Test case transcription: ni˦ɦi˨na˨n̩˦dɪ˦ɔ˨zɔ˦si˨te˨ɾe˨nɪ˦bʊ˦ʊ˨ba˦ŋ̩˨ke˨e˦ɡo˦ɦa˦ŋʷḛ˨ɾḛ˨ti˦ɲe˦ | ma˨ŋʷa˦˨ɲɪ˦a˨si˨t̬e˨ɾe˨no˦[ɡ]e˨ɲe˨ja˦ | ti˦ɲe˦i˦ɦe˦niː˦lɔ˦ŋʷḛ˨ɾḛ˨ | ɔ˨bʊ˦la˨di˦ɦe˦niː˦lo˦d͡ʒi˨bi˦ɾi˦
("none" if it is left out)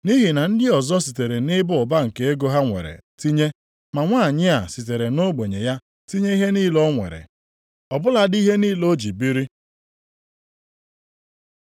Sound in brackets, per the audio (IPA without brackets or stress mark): ɡ͡b